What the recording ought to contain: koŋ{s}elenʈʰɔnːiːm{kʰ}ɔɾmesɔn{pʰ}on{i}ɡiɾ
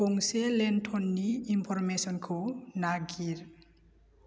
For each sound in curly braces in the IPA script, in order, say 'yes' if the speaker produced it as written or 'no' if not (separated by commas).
yes, no, no, no